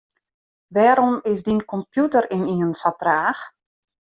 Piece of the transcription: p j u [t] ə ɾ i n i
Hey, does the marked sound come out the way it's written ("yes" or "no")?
yes